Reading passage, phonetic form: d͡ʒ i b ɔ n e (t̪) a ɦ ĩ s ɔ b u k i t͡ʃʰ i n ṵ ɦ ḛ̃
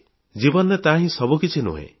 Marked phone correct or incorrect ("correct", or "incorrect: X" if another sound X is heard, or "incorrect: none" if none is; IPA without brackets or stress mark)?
correct